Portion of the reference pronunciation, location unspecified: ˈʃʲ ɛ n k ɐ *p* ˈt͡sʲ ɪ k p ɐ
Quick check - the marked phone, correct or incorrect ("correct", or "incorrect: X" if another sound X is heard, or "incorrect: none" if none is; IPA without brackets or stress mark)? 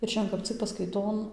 correct